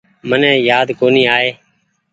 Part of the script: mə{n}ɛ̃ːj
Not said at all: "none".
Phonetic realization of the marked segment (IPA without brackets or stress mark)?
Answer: n